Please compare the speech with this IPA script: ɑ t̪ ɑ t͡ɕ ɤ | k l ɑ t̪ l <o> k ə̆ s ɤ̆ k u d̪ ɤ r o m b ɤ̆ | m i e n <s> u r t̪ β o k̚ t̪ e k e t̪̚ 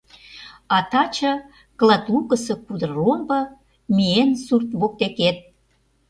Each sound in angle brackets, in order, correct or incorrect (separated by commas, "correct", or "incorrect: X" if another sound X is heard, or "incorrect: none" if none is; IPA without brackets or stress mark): incorrect: u, correct